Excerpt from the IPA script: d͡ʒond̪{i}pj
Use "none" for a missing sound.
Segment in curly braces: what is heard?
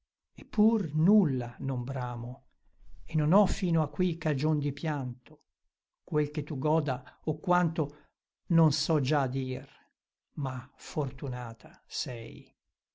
i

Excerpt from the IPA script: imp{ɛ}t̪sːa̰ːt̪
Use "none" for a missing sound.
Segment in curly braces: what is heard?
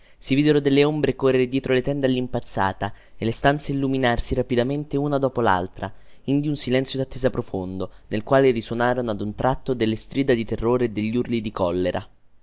a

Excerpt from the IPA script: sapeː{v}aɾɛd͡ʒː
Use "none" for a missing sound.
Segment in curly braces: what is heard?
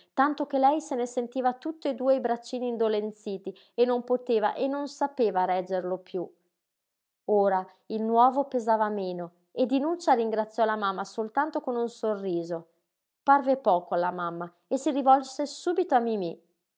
v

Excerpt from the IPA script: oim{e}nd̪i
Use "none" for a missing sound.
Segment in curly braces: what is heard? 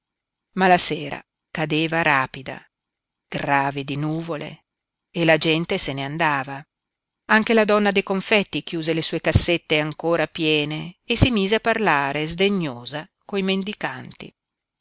e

